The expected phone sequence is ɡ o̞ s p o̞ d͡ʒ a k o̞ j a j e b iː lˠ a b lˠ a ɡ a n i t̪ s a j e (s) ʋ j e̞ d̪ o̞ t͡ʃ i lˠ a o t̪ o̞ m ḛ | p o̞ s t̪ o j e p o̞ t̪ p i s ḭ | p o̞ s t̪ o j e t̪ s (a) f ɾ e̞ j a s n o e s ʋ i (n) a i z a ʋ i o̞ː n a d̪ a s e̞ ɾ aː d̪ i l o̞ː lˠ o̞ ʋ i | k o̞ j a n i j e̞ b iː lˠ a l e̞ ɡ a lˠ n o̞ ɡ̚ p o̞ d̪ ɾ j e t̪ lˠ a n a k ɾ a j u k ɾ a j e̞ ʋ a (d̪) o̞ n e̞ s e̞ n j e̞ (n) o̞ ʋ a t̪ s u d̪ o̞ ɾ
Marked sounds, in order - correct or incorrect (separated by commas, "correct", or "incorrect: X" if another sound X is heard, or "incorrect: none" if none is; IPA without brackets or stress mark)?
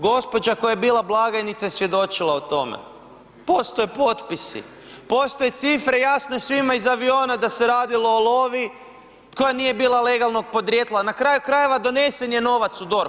correct, incorrect: i, incorrect: m, correct, correct